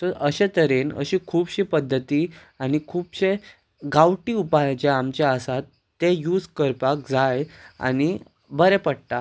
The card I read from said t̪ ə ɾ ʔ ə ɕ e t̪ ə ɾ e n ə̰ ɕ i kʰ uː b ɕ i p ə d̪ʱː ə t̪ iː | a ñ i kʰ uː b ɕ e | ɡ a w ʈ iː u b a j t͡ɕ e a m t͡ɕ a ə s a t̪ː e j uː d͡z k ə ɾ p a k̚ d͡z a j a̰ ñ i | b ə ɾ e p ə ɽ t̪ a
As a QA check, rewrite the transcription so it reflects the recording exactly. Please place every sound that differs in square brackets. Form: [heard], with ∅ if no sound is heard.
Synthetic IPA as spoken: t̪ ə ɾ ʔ ə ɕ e t̪ ə ɾ e n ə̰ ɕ i kʰ uː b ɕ i p ə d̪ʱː ə t̪ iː | a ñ i kʰ uː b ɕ e | ɡ a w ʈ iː u [p] a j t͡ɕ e a m t͡ɕ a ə s a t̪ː e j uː d͡z k ə ɾ p a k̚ d͡z a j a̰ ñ i | b ə ɾ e p ə ɽ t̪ a